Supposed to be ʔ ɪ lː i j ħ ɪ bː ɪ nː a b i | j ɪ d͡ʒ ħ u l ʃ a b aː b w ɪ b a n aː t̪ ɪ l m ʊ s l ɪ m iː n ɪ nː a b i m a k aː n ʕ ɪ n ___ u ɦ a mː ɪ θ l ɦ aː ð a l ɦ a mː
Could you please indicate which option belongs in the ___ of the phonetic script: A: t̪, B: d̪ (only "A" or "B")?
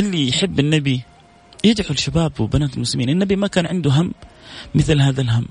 B